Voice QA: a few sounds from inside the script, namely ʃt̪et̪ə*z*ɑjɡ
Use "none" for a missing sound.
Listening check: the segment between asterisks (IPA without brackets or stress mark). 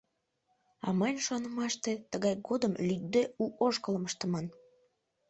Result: ɣ